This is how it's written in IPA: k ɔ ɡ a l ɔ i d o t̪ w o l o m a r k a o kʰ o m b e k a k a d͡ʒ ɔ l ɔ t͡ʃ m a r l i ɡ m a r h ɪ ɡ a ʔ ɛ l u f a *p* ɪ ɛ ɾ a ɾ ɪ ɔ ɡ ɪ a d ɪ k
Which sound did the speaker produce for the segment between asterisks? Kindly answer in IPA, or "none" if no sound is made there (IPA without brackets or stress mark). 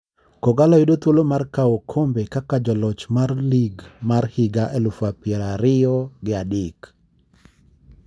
p